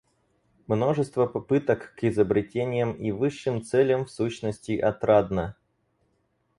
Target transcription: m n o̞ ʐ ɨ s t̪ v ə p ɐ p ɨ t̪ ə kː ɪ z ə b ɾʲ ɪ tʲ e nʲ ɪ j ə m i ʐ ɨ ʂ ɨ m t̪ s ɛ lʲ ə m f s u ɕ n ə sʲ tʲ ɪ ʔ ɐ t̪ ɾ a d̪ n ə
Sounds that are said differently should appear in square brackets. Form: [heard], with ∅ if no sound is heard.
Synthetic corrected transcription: m n o̞ ʐ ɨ s t̪ v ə p ɐ p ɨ t̪ ə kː ɪ z ə b ɾʲ ɪ tʲ e nʲ ɪ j ə m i [v] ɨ [ʂː] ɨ m t̪ s ɛ lʲ ə m f s u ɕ n ə sʲ tʲ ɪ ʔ ɐ t̪ ɾ a d̪ n ə